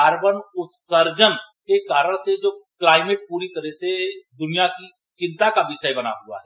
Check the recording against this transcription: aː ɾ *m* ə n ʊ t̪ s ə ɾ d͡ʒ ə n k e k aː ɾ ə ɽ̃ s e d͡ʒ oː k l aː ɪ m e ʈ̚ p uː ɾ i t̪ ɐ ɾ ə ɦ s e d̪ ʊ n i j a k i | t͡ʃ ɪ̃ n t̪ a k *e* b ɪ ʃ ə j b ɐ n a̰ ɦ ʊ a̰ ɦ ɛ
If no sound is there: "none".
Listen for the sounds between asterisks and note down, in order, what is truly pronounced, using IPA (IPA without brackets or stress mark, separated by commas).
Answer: b, a